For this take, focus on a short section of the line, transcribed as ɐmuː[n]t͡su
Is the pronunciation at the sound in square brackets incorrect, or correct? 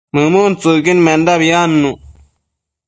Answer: correct